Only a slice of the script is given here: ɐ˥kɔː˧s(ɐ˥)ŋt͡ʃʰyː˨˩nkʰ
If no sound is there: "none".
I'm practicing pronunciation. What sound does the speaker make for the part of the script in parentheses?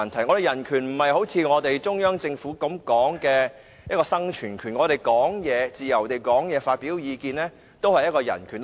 ɐ˥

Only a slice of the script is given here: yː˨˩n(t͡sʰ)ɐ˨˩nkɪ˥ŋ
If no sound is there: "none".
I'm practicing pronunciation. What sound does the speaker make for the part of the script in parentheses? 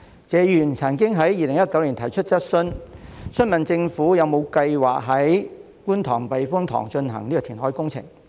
t͡sʰ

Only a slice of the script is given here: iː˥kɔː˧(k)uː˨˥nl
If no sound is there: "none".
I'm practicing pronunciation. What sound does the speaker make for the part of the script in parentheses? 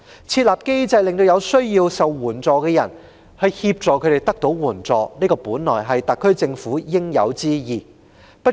p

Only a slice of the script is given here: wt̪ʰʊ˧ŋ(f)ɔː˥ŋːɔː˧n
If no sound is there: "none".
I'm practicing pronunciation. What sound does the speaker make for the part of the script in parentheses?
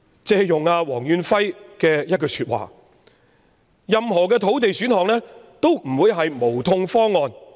f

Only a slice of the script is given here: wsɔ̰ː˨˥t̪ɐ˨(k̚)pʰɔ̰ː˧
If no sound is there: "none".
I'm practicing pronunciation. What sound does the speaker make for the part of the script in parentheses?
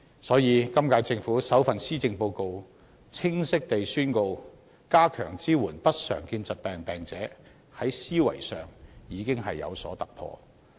k̚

